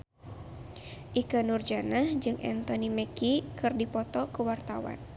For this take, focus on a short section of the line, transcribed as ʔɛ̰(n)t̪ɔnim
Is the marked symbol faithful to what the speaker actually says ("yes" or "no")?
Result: yes